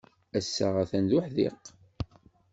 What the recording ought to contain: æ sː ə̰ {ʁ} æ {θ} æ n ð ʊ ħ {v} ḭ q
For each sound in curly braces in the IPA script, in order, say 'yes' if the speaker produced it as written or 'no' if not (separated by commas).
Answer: yes, yes, no